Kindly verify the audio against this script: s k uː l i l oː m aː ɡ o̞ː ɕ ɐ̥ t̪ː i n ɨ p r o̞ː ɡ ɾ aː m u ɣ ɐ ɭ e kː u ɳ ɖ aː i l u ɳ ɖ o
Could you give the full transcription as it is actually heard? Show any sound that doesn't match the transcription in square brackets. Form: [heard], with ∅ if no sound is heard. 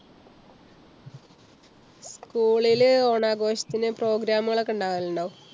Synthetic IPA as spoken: s k uː [ɭ] i l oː [ɳ] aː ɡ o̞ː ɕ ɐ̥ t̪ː i n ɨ p r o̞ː ɡ ɾ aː m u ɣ ɐ ɭ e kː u ɳ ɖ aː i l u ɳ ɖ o

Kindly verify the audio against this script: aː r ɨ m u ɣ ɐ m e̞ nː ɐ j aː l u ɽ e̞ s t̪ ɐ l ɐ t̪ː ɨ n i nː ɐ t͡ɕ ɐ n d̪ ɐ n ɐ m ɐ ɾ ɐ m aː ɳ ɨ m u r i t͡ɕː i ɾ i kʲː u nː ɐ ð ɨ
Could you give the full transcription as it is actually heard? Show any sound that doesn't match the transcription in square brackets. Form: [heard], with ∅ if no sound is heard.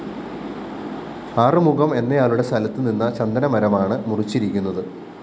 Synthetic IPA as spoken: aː r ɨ m u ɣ ɐ m e̞ nː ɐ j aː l u ɽ e̞ s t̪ ɐ l ɐ t̪ː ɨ n i nː ɐ t͡ɕ ɐ n d̪ ɐ n ɐ m ɐ ɾ ɐ m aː ɳ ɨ m u r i t͡ɕː i ɾ i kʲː u nː ɐ ð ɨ

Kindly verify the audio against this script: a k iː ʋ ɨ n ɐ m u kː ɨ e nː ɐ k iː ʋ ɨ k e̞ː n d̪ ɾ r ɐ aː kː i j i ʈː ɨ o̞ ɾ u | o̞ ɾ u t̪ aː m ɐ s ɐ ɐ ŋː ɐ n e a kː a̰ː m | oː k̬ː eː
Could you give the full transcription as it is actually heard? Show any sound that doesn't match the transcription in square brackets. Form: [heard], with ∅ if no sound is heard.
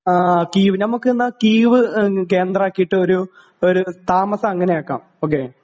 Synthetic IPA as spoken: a k iː ʋ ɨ n ɐ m u kː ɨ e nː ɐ k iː ʋ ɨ k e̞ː n d̪ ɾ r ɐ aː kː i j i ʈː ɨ o̞ ɾ u | o̞ ɾ u t̪ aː m ɐ s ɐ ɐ ŋː ɐ n e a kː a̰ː m | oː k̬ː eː

